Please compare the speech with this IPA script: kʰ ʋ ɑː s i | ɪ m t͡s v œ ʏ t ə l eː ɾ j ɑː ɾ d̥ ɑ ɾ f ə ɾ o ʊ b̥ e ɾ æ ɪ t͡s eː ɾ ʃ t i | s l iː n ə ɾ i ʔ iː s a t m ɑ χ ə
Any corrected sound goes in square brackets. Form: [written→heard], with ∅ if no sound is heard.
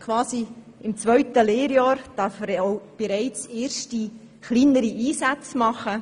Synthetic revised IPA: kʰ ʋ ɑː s i | ɪ m t͡s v œ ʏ t ə l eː ɾ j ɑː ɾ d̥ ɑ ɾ f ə ɾ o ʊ b̥ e ɾ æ ɪ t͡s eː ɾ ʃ t i | [s→χ] l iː n ə ɾ i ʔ iː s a [t→t͡s] m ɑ χ ə